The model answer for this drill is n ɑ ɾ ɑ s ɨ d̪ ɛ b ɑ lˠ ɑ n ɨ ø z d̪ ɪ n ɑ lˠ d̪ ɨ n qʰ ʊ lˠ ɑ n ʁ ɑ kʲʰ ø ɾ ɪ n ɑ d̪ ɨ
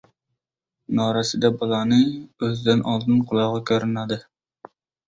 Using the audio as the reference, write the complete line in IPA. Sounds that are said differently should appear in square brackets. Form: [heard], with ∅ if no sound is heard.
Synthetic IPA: n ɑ ɾ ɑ s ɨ d̪ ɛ b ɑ lˠ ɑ n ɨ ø z d̪ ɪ n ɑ lˠ d̪ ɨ n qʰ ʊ lˠ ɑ [∅] ʁ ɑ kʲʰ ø ɾ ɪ n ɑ d̪ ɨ